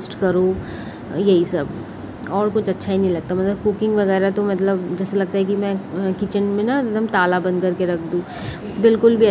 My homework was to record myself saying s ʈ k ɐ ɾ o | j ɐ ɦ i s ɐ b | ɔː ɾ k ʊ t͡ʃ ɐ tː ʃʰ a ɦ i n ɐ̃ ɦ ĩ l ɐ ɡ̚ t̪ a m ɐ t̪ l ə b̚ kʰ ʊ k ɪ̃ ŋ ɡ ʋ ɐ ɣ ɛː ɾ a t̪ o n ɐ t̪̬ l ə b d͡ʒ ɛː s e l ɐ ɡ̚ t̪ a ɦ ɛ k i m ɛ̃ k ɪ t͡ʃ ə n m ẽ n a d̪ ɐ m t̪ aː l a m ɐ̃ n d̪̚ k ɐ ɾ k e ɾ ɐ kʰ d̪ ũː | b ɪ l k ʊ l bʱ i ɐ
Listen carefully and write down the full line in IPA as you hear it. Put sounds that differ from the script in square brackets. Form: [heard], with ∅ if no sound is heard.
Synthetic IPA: s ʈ k ɐ ɾ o | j ɐ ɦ i s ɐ b | ɔː ɾ k ʊ t͡ʃ ɐ tː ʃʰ a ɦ i n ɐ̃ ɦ ĩ l ɐ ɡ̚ t̪ a m ɐ t̪ l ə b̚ [k] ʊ k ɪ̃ ŋ ɡ ʋ ɐ ɣ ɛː ɾ a t̪ o [m] ɐ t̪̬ l ə b d͡ʒ ɛː s e l ɐ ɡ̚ t̪ a ɦ ɛ k i m ɛ̃ k ɪ t͡ʃ ə n m ẽ n a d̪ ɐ m t̪ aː l a [b] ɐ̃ n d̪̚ k ɐ ɾ k e ɾ ɐ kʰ d̪ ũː | b ɪ l k ʊ l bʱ i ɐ